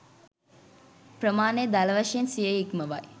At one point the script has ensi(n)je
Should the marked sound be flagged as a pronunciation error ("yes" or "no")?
yes